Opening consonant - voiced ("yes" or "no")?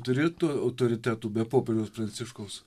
no